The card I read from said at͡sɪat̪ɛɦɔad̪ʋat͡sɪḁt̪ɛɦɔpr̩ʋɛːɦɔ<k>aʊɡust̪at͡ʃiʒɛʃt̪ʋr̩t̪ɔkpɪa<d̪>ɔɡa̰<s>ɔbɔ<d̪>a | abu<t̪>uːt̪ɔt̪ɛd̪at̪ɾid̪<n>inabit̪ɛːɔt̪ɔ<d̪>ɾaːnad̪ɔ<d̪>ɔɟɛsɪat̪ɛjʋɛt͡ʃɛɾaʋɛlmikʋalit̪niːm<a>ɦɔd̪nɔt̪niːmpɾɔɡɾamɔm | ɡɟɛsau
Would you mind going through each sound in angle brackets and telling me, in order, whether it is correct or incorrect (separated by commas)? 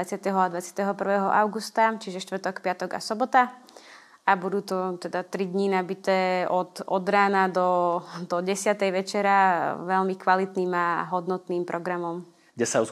incorrect, incorrect, correct, incorrect, incorrect, incorrect, correct, correct, correct